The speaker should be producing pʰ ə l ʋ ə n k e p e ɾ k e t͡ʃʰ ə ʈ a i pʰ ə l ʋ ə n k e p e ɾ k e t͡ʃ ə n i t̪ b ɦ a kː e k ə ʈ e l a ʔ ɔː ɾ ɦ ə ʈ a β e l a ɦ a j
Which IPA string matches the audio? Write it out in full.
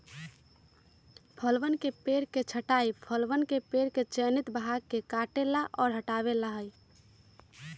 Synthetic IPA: pʰ ə l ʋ ə n k e p e ɾ k e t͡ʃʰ ə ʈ a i pʰ ə l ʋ ə n k e p e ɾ k e t͡ʃ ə n i t̪ b ɦ a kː e k a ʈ e l a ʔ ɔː ɾ ɦ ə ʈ a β e l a ɦ ə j